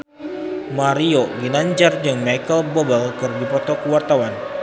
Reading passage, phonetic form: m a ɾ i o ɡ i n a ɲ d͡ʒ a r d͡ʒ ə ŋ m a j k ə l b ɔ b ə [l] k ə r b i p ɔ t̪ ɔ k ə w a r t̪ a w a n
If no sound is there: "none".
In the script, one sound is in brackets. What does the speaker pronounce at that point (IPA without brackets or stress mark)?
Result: l